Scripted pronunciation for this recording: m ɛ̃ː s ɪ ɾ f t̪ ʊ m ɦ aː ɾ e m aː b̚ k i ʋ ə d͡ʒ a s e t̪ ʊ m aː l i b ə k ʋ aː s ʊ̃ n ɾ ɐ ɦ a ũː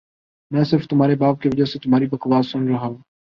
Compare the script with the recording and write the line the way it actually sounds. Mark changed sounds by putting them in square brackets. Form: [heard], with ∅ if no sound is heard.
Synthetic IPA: m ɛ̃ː s ɪ ɾ f t̪ ʊ m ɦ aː ɾ e [b] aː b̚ k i ʋ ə d͡ʒ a s e t̪ ʊ m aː [ɾ] i b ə k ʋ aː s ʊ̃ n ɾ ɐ ɦ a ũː